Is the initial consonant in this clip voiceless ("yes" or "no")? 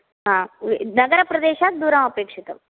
no